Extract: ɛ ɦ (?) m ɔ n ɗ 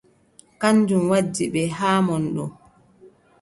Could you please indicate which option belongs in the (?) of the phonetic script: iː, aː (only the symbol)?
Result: aː